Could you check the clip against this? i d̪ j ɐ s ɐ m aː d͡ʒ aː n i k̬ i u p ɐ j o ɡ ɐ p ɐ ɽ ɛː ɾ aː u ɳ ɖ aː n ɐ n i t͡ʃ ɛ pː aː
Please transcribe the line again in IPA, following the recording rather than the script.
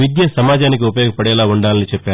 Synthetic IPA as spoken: i d̪ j ɐ s ɐ m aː d͡ʒ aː n i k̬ i u p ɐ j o ɡ ɐ p ɐ ɽ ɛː l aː u ɳ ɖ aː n ɐ n i t͡ʃ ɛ pː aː